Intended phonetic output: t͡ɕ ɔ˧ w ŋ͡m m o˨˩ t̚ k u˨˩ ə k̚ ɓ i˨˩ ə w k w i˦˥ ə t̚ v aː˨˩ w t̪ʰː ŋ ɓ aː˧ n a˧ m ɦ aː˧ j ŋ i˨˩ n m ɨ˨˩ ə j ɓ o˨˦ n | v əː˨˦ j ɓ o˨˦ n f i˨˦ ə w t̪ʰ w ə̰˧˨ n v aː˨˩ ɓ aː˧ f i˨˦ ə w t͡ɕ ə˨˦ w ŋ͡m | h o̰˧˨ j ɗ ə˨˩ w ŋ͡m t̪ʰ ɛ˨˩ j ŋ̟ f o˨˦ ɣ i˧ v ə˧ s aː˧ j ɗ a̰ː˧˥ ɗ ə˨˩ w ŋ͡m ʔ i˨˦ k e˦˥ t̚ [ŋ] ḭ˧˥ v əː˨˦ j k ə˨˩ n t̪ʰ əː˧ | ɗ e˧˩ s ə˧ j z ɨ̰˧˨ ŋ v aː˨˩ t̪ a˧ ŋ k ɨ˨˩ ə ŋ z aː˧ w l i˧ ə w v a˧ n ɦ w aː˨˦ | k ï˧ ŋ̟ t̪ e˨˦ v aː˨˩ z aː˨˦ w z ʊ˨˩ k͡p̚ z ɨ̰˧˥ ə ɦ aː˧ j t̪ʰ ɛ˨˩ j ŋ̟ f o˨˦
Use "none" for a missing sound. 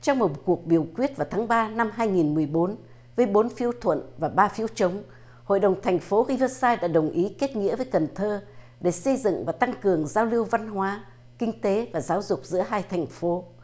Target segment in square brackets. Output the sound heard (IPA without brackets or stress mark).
ŋ